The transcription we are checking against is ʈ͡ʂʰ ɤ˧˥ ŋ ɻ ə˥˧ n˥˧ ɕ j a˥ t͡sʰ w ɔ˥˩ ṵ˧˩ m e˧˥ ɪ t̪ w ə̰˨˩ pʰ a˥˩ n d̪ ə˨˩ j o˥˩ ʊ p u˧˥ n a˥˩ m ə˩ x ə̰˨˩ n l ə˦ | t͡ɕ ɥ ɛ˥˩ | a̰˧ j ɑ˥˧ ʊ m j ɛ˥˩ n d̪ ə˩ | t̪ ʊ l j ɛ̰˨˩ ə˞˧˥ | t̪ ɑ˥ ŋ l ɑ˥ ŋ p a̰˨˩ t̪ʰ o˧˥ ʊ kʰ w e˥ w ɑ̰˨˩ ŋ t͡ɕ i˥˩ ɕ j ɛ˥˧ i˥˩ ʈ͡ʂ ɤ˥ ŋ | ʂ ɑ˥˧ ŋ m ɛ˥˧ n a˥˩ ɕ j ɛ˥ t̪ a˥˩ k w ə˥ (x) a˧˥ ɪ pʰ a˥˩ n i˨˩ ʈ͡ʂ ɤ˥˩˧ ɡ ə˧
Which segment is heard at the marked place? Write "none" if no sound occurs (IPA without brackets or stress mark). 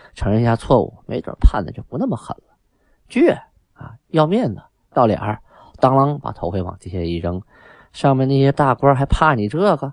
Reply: x